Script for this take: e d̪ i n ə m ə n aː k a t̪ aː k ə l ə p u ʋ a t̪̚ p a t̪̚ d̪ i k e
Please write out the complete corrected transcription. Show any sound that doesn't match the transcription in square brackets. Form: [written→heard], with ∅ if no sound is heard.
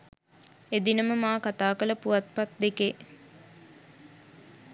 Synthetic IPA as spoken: e d̪ i n ə m ə [n→m] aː k a t̪ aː k ə l ə p u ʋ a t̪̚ p a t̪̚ d̪ [i→e] k e